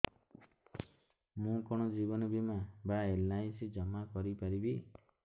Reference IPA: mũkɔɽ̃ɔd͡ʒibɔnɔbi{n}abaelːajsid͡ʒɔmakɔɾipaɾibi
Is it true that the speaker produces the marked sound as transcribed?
no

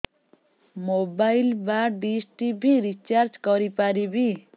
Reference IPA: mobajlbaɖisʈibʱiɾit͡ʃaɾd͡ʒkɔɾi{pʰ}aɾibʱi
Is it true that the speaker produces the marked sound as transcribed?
no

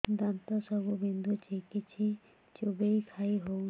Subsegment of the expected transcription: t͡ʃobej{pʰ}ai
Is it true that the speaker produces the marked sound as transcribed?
no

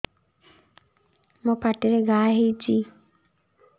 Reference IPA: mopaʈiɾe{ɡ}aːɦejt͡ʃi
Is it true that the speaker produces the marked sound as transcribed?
yes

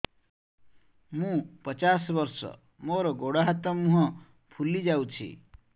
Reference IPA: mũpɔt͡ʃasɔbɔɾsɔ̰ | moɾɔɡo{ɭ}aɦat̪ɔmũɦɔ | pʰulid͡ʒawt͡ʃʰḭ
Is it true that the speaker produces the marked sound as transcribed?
no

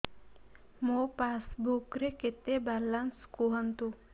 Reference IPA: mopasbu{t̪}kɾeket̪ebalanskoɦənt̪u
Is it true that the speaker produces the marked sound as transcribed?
no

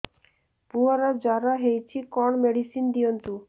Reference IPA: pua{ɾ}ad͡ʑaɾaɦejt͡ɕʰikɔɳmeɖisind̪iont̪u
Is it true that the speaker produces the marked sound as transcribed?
yes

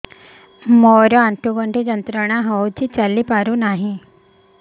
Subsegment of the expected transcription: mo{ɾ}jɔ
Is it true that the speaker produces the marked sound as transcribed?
yes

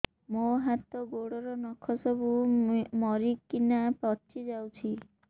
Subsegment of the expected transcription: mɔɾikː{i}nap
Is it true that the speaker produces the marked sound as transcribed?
yes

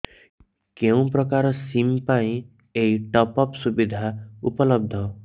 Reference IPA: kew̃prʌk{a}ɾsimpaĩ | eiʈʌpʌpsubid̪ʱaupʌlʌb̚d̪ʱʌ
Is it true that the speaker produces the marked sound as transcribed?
yes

